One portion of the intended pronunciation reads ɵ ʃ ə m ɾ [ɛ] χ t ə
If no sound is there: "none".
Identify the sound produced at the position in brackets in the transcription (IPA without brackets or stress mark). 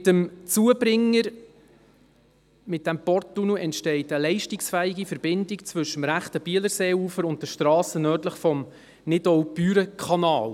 æ